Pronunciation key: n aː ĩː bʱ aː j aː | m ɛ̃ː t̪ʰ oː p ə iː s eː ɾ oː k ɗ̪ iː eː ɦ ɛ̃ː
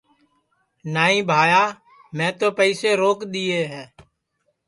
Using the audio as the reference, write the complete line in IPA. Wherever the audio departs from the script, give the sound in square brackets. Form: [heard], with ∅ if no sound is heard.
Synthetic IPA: n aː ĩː bʱ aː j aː | m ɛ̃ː [t̪] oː p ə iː s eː ɾ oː k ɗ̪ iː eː ɦ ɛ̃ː